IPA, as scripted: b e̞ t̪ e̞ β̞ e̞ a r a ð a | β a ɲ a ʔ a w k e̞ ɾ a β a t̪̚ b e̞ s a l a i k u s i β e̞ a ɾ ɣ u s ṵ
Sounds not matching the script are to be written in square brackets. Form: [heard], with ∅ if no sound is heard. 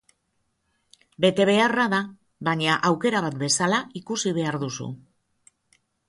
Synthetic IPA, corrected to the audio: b e̞ t̪ e̞ β̞ e̞ a r a ð a | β a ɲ a ʔ a w k e̞ ɾ a β a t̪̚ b e̞ s a l a i k u s i β e̞ a ɾ [ð] u s ṵ